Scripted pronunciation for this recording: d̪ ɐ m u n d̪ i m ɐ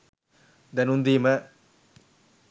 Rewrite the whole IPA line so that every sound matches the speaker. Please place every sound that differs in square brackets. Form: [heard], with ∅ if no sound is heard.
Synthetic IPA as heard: d̪ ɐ [n] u n d̪ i m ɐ